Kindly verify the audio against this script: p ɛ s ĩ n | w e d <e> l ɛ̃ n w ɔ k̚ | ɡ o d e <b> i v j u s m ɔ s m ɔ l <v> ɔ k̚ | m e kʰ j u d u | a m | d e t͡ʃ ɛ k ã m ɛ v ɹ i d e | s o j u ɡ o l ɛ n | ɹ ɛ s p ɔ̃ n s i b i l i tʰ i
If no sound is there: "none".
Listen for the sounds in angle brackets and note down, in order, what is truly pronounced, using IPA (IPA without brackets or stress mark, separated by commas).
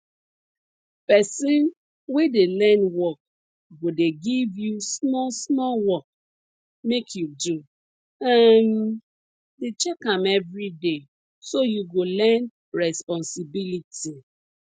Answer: e, ɡ, w